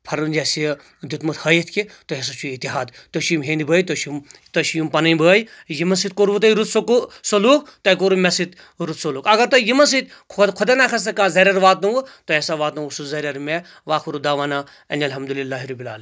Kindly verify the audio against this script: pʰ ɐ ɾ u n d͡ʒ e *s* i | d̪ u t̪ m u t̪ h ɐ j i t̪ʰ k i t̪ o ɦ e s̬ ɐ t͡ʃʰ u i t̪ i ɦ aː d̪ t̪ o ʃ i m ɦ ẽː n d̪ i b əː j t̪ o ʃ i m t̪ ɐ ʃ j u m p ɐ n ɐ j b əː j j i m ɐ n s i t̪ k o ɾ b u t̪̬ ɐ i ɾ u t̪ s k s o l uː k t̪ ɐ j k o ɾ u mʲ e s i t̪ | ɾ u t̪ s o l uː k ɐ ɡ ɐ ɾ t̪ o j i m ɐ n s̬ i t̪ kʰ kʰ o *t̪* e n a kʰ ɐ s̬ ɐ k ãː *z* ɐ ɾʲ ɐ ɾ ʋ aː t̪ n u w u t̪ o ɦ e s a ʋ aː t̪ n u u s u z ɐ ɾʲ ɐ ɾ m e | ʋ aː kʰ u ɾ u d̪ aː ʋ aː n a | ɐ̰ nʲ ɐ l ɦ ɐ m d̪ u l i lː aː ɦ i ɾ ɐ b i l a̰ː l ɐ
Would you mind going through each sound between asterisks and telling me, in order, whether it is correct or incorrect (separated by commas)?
correct, incorrect, correct